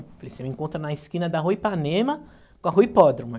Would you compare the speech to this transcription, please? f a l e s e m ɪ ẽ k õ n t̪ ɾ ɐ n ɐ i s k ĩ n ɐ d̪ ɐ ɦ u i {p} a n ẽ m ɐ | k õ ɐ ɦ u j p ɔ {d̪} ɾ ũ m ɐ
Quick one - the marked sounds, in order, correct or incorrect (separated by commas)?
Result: correct, correct